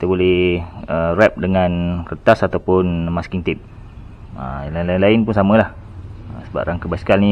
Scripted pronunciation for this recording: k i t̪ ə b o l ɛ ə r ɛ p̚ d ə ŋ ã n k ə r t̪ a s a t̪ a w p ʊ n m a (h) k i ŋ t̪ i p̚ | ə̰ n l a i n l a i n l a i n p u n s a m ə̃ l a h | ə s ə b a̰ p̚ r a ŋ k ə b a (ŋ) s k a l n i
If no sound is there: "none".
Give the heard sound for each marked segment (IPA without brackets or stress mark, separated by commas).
s, none